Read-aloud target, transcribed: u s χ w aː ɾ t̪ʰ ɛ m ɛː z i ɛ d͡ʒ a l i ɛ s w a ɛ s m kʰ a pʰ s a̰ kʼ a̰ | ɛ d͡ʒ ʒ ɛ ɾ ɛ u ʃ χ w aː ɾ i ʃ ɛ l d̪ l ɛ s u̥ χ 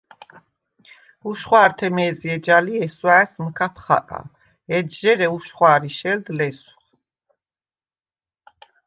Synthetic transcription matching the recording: u ʃ χ w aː ɾ t̪ʰ ɛ m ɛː z i ɛ d͡ʒ a l i ɛ s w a ɛ s m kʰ a pʰ χ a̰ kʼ a̰ | ɛ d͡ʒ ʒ ɛ ɾ ɛ u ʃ χ w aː ɾ i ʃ ɛ l d̪ l ɛ s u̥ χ